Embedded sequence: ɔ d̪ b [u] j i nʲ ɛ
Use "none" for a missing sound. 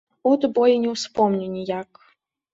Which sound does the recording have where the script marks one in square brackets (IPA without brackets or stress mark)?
ɔ